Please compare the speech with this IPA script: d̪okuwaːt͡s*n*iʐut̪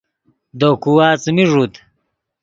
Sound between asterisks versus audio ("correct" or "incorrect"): incorrect